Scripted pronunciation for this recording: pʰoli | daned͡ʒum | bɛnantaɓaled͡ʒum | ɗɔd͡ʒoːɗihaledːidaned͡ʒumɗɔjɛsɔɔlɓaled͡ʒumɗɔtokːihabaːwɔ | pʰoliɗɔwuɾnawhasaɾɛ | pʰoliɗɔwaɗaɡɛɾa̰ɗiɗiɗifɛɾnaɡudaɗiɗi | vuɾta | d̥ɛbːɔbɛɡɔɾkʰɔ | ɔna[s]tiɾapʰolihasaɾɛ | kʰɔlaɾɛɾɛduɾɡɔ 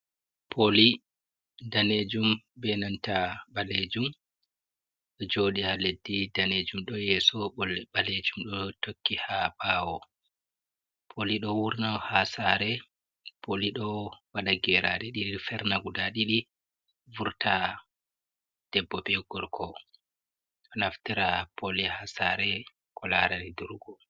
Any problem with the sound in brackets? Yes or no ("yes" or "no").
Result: yes